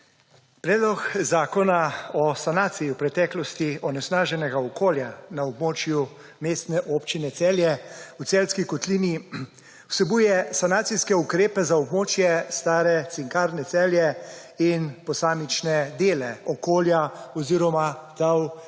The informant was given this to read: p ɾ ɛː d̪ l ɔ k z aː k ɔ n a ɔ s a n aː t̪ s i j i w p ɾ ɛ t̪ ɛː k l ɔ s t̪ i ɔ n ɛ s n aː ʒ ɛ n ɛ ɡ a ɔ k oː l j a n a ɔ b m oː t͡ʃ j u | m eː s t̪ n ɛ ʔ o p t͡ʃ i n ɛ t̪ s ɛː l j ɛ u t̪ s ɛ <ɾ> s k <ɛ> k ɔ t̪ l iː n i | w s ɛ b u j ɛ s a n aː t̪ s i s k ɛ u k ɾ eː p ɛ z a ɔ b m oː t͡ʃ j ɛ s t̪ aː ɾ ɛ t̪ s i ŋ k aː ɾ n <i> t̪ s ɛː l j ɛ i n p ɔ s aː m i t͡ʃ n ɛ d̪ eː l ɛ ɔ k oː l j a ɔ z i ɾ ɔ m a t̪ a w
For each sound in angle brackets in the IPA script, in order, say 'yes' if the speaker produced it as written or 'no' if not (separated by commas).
no, no, no